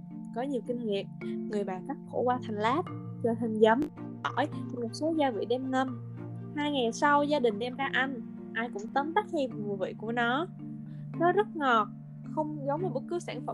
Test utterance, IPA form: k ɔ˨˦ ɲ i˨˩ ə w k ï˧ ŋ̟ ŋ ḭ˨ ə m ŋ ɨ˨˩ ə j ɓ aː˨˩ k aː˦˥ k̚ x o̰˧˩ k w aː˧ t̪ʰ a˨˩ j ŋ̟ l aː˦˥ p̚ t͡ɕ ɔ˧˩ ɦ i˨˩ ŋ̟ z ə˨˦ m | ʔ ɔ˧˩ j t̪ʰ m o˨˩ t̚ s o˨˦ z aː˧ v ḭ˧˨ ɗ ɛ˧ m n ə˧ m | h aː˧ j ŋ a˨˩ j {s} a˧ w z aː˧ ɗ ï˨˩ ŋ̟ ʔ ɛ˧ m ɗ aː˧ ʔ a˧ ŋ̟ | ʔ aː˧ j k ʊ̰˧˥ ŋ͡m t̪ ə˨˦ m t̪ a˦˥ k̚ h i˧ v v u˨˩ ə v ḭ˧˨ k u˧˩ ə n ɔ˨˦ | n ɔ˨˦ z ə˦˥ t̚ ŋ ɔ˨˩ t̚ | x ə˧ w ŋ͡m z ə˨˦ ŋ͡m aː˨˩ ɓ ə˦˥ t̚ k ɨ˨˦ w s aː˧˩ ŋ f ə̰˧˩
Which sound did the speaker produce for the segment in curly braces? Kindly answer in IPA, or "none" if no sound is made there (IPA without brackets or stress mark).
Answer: s